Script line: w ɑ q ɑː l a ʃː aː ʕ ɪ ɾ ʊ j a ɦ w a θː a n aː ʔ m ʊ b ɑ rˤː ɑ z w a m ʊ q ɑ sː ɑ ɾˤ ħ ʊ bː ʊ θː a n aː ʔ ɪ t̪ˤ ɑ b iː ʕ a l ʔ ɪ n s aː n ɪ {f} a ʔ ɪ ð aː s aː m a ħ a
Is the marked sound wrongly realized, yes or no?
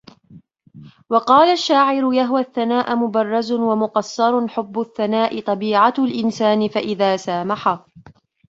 no